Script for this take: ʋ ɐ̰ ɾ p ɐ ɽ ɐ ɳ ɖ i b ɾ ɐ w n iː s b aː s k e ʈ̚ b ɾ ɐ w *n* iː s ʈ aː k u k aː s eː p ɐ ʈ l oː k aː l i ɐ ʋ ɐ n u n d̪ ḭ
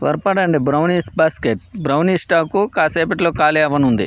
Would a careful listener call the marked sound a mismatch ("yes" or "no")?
no